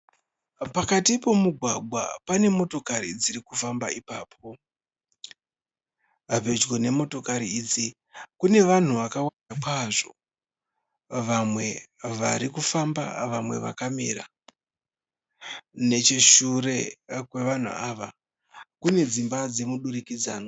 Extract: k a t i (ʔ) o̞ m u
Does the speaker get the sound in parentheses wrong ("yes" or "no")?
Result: yes